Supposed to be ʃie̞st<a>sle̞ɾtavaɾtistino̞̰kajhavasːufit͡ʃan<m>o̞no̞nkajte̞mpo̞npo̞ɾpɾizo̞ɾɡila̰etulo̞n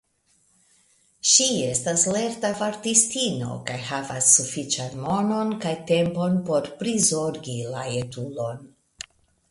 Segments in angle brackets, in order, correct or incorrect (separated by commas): correct, correct